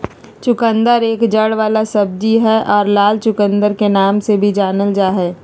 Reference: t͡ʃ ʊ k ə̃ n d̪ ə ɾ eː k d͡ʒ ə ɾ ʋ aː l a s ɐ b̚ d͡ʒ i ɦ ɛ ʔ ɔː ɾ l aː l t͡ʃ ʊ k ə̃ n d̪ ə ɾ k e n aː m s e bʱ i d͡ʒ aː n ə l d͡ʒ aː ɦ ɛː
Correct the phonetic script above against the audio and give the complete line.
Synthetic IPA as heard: t͡ʃ ʊ k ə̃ n d̪ ə ɾ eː k d͡ʒ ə ɽ ʋ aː l a s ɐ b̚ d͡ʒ i ɦ ɛ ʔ ɔː ɾ l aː l t͡ʃ ʊ k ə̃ n d̪ ə ɾ k e n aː m s e bʱ i d͡ʒ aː n ə l d͡ʒ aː ɦ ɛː